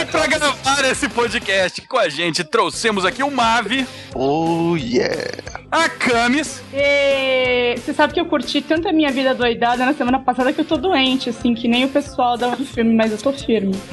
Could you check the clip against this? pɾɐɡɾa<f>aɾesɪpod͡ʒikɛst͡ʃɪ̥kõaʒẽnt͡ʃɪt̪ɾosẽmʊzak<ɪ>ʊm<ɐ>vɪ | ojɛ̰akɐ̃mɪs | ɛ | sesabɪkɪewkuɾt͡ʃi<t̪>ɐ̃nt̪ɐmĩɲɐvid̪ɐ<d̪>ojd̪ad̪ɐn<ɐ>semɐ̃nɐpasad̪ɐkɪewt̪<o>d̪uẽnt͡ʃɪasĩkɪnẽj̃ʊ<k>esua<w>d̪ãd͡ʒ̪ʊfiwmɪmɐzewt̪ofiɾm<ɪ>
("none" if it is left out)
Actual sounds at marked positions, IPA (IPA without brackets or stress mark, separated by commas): v, i, a, t̪, d̪, ɐ, o, p, w, ɪ